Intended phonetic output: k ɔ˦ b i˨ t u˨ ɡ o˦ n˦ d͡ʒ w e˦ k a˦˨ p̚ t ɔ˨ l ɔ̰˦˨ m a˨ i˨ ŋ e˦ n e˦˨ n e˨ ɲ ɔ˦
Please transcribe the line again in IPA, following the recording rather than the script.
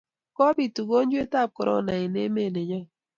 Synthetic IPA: k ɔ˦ b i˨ t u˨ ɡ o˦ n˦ d͡ʒ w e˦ t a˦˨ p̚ k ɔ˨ ɾ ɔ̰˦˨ n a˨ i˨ n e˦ m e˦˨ n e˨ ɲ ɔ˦